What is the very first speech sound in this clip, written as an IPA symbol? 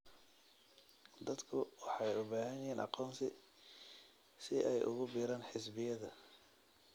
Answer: d̪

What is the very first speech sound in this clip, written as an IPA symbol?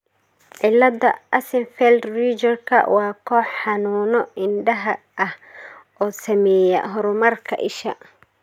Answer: ʕ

